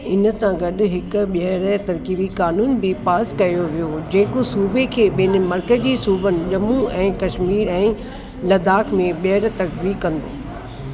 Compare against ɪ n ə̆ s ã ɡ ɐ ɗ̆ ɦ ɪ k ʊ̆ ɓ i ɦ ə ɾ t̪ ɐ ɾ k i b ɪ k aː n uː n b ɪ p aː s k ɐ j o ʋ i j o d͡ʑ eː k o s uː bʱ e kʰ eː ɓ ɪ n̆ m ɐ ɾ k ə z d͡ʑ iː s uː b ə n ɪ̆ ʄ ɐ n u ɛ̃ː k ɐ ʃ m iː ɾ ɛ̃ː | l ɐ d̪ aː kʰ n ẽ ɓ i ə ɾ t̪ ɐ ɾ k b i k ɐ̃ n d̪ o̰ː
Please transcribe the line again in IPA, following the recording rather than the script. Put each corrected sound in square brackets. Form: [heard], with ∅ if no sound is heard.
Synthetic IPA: ɪ n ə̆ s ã ɡ ɐ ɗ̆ ɦ ɪ k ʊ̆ ɓ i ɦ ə ɾ t̪ ɐ ɾ k i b [i] k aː n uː n b ɪ p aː s k ɐ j o ʋ i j o d͡ʑ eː k o s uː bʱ e kʰ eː ɓ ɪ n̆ m ɐ ɾ k ə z d͡ʑ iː s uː b ə n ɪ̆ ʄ ɐ [m] u ɛ̃ː k ɐ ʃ m iː ɾ ɛ̃ː | l ɐ d̪ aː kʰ [m] ẽ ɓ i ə ɾ t̪ ɐ ɾ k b i k ɐ̃ n d̪ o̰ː